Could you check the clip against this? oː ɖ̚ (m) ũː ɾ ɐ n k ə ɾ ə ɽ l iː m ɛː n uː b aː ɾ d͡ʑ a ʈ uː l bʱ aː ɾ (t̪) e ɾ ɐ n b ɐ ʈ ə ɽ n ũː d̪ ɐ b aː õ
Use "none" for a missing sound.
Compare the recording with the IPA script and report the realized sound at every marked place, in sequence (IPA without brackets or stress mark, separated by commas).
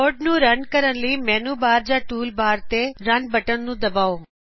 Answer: n, t̪